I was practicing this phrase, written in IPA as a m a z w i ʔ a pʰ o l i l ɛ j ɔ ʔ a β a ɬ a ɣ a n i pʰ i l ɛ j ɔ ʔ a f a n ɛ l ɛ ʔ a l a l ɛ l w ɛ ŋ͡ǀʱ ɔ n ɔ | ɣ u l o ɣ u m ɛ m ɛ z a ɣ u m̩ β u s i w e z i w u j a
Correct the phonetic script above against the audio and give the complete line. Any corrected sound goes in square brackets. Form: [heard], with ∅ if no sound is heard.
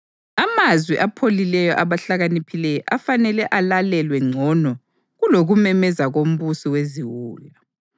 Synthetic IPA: a m a z w i ʔ a pʰ o l i l ɛ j ɔ ʔ a β a ɬ a ɣ a n i pʰ i l ɛ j ɔ ʔ a f a n ɛ l ɛ ʔ a l a l ɛ l w ɛ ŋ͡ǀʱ ɔ n ɔ | ɣ u l o ɣ u m ɛ m ɛ z a ɣ [o] m̩ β u s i w e z i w [uː] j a